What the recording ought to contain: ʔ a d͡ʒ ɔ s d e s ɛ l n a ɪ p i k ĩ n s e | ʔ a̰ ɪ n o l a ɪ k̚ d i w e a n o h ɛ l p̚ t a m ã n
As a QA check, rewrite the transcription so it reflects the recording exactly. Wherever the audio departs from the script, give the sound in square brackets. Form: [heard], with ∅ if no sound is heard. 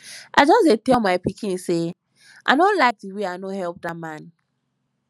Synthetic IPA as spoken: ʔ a d͡ʒ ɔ s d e [t] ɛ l [m] a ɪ p i k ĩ n s e | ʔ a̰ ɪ n o l a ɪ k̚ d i w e a n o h ɛ l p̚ [d] a m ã n